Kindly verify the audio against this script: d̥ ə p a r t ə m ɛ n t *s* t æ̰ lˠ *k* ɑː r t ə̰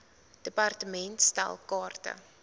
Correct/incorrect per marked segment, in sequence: correct, correct

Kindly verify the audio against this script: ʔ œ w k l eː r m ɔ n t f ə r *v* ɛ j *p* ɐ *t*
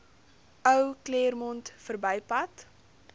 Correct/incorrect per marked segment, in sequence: incorrect: b, correct, correct

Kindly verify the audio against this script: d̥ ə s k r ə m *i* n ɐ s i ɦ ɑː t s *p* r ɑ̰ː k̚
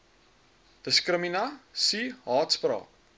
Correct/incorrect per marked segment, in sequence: correct, correct

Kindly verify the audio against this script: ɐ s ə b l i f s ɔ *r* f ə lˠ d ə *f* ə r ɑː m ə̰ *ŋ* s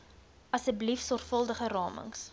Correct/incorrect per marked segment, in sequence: correct, incorrect: χ, correct

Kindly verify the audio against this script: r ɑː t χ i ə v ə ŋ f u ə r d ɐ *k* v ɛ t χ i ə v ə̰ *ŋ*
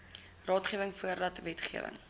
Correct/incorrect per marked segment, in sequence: incorrect: t, correct

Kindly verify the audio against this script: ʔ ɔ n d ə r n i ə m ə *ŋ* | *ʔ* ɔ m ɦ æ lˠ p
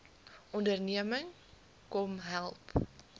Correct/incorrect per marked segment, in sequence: correct, incorrect: k

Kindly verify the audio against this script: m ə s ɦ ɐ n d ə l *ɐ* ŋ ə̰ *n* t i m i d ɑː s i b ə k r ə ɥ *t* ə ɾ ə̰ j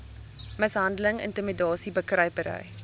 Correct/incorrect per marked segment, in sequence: incorrect: ə, correct, incorrect: p

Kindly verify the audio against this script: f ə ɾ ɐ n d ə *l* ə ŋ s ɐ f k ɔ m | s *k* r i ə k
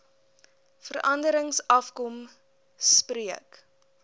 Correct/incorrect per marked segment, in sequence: incorrect: ɾ, incorrect: p

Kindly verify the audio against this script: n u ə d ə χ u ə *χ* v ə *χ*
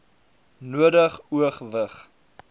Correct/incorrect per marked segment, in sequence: correct, correct

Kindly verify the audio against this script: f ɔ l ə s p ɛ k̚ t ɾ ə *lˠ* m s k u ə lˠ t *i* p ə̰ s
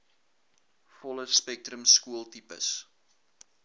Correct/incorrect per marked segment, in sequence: incorrect: none, correct

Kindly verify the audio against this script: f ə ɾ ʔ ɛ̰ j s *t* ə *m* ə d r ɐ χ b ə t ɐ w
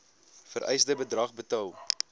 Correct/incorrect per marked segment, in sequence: incorrect: d, incorrect: b

